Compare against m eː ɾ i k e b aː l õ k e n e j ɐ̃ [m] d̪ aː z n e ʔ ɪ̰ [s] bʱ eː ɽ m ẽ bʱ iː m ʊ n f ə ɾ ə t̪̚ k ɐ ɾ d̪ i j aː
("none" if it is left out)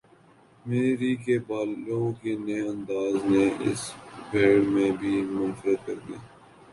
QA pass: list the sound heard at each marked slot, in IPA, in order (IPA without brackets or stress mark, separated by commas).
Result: n, s